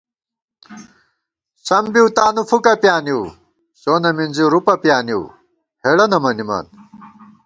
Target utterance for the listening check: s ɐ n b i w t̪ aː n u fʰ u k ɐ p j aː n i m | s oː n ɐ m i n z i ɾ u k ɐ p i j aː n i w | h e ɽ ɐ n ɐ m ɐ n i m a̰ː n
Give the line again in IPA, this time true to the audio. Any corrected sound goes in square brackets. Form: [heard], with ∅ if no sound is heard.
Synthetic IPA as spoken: s ɐ [m] b i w t̪ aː n u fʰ u k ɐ p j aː n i [∅] | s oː n ɐ m i n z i ɾ u [p] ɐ p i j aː n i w | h e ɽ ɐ n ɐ m ɐ n i m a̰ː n